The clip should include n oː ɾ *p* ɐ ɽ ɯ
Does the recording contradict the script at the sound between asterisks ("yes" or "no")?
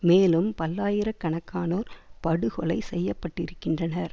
no